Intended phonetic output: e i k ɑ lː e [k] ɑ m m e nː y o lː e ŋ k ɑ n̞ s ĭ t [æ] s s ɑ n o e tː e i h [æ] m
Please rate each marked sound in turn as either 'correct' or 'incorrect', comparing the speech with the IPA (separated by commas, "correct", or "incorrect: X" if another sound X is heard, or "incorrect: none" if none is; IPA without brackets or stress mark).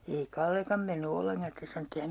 correct, incorrect: e, correct